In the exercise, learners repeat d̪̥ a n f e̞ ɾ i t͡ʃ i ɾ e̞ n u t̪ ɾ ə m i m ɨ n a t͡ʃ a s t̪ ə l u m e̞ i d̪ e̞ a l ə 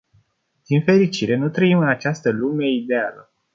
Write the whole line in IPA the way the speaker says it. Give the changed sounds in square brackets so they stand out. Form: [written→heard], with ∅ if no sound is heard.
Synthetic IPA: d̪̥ [a→i] n f e̞ ɾ i t͡ʃ i ɾ e̞ n u t̪ ɾ ə [m→∅] i m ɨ n a t͡ʃ a s t̪ ə l u m e̞ i d̪ e̞ a l ə